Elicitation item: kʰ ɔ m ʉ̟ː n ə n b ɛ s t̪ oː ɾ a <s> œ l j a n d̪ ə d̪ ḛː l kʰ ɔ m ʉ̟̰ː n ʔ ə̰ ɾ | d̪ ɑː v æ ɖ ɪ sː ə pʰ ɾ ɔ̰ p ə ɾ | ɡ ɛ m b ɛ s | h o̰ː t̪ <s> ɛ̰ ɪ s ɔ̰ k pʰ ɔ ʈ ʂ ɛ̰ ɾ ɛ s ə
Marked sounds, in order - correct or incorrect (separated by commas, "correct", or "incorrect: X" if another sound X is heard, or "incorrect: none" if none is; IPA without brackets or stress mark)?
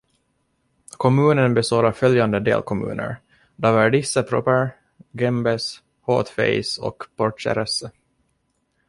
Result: incorrect: f, incorrect: f